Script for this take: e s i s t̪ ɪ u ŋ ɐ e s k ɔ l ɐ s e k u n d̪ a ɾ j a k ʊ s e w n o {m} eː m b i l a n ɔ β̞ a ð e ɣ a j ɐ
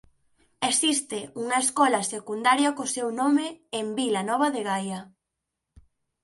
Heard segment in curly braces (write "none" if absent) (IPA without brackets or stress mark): m